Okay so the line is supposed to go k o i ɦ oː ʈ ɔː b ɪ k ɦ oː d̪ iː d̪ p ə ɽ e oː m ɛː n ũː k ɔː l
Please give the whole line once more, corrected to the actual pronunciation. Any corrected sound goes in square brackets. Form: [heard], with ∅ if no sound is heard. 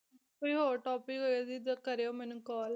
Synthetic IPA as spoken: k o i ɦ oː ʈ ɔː [p] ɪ k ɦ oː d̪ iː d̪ [k] ə [ɾ] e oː m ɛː n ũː k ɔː l